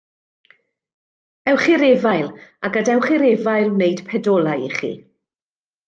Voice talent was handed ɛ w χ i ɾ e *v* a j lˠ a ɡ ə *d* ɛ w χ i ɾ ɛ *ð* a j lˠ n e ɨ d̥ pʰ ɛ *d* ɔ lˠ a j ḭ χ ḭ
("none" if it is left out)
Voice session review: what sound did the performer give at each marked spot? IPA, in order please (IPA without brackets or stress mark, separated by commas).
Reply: v, d, v, d